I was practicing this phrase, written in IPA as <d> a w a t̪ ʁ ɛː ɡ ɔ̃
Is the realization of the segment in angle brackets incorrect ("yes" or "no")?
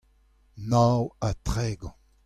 yes